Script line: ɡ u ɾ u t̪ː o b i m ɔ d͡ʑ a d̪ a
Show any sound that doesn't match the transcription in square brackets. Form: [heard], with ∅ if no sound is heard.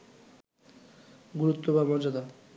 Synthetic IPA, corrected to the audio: ɡ u ɾ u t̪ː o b [a] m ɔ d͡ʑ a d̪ a